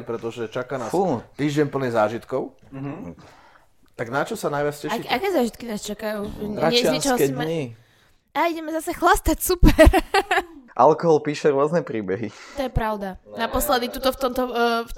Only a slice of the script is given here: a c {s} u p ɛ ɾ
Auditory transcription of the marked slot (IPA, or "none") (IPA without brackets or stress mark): s